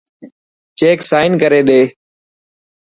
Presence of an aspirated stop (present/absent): absent